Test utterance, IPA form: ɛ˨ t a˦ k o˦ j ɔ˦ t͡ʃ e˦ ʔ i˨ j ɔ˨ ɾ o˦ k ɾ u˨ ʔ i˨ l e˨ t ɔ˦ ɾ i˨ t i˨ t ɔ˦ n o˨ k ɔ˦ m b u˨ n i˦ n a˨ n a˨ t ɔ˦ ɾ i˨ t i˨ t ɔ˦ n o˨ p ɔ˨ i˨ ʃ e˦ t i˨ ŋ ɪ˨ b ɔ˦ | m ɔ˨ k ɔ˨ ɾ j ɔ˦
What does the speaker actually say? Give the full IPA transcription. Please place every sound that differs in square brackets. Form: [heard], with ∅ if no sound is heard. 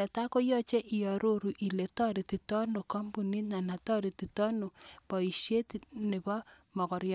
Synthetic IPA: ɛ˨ t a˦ k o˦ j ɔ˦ t͡ʃ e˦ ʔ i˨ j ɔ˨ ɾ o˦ [∅] ɾ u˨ ʔ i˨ l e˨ t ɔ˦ ɾ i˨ t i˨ t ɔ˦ n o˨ k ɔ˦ m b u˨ n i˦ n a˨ n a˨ t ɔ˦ ɾ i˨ t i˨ t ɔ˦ n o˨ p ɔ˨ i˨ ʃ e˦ t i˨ [n] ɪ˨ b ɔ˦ | m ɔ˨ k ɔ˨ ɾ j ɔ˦